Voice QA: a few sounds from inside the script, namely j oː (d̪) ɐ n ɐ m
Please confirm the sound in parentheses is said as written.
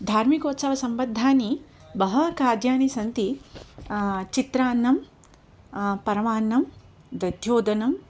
yes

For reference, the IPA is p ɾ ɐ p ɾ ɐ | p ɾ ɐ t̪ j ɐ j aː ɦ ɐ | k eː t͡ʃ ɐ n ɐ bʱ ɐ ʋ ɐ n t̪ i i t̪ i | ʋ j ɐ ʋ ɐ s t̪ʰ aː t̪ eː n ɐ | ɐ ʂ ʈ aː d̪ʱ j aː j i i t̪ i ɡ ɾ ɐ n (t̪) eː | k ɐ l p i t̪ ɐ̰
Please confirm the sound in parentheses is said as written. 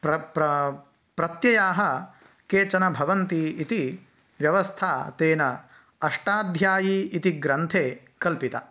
no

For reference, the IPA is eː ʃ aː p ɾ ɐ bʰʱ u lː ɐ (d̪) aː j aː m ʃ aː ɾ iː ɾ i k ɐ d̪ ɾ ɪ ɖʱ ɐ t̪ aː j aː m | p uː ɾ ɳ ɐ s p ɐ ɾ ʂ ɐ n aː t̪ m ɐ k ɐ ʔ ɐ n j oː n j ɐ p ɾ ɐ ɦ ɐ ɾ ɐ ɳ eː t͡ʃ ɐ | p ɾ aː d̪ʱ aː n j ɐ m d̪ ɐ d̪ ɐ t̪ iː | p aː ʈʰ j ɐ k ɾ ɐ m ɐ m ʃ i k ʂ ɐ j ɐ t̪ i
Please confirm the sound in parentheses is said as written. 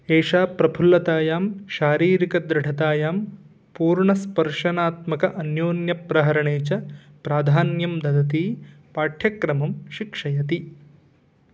no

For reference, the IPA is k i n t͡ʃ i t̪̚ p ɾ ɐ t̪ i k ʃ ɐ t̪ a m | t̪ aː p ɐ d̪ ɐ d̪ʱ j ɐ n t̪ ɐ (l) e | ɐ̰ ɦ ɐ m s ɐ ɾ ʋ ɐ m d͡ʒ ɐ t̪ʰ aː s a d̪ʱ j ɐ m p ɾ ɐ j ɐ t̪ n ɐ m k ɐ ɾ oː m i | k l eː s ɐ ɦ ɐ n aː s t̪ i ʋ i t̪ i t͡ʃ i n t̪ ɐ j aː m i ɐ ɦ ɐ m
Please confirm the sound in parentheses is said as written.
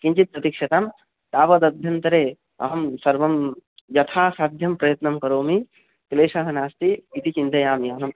no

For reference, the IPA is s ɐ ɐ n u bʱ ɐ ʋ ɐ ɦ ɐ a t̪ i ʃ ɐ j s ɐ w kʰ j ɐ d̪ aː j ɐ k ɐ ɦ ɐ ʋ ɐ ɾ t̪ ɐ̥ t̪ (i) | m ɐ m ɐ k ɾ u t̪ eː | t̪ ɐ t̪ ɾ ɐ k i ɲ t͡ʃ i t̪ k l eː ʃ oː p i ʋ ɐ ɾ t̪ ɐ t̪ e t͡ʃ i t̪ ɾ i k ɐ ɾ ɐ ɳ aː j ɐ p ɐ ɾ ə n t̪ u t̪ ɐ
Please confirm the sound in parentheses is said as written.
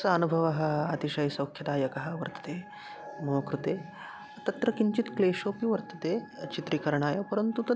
no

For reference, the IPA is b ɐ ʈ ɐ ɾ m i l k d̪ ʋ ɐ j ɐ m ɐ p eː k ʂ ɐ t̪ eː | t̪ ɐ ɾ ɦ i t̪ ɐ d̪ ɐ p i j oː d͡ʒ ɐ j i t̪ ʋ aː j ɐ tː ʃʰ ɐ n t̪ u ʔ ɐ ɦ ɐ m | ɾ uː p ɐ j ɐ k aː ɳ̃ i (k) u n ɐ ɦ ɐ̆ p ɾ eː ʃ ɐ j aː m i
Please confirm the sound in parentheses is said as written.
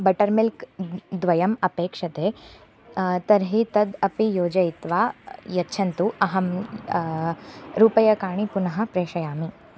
no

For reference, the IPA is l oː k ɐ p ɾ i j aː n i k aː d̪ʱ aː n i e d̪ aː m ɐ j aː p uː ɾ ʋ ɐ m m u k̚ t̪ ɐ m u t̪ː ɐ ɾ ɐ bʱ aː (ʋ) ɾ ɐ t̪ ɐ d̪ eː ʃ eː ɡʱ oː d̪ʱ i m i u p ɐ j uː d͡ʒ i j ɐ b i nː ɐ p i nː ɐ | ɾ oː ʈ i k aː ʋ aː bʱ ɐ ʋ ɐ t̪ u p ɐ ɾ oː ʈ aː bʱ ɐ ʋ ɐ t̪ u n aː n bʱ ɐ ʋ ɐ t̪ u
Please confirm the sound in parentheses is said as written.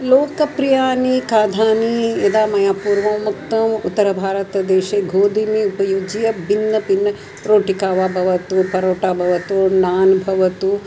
no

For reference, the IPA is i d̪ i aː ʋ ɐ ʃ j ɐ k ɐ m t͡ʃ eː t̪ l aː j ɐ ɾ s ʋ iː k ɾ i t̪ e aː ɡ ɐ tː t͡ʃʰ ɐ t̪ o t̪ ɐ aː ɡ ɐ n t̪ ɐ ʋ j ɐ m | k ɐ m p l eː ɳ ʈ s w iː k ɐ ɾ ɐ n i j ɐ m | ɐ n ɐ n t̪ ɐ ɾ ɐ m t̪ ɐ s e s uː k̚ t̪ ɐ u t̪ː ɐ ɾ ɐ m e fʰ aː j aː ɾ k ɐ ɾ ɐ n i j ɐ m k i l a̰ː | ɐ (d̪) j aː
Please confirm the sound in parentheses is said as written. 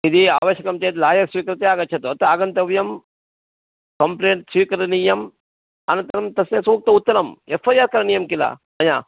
no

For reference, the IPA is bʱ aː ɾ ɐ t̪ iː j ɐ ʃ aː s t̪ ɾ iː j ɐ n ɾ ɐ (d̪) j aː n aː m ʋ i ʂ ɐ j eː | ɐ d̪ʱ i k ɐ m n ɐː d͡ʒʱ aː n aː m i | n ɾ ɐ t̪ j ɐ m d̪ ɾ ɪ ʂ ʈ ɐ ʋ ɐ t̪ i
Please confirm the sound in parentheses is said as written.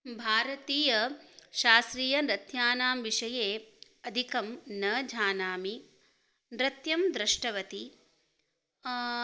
no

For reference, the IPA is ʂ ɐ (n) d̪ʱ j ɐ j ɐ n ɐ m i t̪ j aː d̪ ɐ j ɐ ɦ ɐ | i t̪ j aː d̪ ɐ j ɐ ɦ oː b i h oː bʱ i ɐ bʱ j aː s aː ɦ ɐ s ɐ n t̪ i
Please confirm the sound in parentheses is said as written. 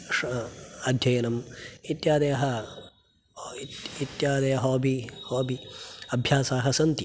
no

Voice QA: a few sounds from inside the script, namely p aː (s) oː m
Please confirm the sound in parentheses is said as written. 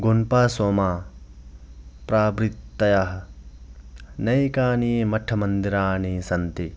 yes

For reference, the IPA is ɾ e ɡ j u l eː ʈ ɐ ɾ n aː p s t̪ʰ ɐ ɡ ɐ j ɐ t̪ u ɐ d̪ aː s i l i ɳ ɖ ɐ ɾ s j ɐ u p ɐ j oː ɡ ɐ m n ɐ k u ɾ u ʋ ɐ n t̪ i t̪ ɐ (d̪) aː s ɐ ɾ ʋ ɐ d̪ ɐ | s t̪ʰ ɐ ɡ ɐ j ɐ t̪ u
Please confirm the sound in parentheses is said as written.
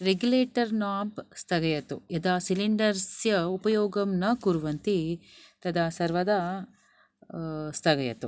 yes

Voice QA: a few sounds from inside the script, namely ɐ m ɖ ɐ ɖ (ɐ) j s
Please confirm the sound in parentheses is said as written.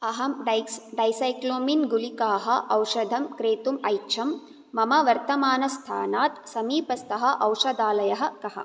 yes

